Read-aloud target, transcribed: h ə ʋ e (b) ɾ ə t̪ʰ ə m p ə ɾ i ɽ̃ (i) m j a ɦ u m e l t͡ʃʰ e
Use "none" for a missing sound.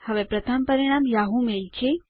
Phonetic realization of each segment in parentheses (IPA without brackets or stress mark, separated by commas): p, a